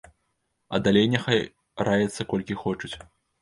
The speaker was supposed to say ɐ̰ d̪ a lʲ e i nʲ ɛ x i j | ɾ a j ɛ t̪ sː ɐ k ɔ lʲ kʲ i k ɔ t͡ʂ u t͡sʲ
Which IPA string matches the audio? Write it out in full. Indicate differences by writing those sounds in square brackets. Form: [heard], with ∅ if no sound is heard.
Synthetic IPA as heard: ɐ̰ d̪ a lʲ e [j] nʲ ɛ x [a] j | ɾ a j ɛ t̪ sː ɐ k ɔ lʲ kʲ i [x] ɔ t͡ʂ u t͡sʲ

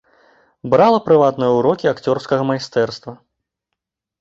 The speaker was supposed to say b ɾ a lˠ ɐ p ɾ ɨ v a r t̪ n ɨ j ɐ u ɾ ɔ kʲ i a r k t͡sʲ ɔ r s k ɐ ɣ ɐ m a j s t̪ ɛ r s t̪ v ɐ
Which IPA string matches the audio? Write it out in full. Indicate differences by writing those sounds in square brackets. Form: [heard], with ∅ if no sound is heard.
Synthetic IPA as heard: b ɾ a lˠ ɐ p ɾ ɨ v a [∅] t̪ n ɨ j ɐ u ɾ ɔ kʲ i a [∅] k t͡sʲ ɔ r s k ɐ ɣ ɐ m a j s t̪ ɛ r s t̪ v ɐ

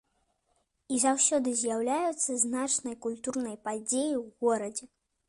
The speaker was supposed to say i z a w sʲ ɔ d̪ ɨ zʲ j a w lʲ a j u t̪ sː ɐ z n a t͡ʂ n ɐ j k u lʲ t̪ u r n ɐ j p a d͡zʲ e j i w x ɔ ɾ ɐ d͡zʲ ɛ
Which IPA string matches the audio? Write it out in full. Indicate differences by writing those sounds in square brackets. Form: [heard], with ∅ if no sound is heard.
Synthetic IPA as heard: i z a w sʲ ɔ d̪ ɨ zʲ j a w lʲ a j u t̪ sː ɐ z n a t͡ʂ n ɐ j k u lʲ t̪ u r n ɐ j p a d͡zʲ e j i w [ɣ] ɔ ɾ ɐ d͡zʲ ɛ

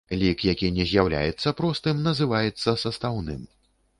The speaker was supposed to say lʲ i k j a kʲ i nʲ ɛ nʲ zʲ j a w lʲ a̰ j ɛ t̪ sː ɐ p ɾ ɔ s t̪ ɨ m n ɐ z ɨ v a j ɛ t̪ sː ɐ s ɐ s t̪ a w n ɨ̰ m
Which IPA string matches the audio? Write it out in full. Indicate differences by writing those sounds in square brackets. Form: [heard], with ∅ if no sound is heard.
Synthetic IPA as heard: lʲ i k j a kʲ i nʲ ɛ [∅] zʲ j a w lʲ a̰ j ɛ t̪ sː ɐ p ɾ ɔ s t̪ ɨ m n ɐ z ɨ v a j ɛ t̪ sː ɐ s ɐ s t̪ a w n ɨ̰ m

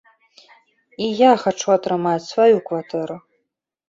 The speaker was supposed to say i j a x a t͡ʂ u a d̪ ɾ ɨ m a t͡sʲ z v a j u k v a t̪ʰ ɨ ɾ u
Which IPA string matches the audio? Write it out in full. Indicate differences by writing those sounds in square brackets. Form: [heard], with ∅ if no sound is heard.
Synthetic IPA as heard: i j a x a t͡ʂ u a [t̪] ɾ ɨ m a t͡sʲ [s] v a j u k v a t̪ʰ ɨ ɾ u

